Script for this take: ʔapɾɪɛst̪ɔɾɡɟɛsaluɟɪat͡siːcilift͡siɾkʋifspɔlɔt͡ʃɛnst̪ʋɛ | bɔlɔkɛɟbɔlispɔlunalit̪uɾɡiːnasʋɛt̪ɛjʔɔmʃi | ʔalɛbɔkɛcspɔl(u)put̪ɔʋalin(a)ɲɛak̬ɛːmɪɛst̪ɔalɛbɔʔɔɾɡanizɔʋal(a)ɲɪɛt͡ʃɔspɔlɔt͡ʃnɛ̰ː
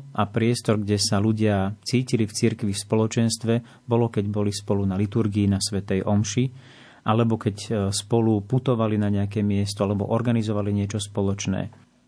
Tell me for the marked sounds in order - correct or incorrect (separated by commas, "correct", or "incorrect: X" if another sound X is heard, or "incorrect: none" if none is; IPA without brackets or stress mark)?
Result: correct, correct, incorrect: i